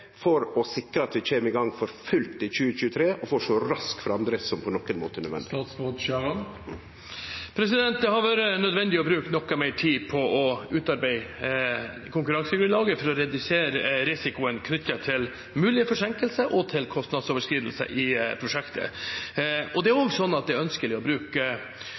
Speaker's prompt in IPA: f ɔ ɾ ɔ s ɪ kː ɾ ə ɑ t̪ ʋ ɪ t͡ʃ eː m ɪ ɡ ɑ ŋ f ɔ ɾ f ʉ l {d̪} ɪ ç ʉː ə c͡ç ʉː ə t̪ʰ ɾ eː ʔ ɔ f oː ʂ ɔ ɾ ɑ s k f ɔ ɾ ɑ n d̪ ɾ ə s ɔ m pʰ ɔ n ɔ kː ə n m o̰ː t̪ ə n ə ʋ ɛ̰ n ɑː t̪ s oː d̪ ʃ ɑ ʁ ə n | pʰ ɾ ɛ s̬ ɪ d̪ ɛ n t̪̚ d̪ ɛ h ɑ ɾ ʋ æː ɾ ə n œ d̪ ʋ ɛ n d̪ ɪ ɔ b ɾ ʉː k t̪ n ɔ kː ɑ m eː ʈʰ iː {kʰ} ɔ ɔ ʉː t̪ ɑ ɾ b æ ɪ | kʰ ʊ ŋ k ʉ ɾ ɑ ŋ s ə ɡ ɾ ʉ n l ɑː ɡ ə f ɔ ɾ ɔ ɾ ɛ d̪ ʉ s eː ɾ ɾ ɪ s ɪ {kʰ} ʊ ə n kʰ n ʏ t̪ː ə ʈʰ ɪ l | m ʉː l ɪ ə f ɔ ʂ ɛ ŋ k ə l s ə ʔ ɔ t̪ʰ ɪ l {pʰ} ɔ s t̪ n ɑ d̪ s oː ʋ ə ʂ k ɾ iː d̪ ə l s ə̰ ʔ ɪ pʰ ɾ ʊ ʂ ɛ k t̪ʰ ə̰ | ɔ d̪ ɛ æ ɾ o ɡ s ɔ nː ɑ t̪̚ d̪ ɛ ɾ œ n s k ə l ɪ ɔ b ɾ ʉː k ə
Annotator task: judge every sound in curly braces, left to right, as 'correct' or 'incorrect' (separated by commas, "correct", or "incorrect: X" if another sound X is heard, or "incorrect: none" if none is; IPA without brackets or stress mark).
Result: incorrect: t̪, incorrect: pʰ, incorrect: k, incorrect: kʰ